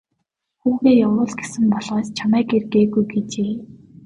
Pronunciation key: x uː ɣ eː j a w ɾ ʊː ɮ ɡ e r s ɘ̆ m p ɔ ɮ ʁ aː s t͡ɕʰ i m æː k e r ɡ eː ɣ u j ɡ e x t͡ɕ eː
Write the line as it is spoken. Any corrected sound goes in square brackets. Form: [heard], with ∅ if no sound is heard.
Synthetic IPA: x uː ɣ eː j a w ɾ ʊː ɮ ɡ e [∅] s ɘ̆ m p ɔ ɮ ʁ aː s t͡ɕʰ [a] m æː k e r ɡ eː ɣ u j ɡ e [∅] t͡ɕ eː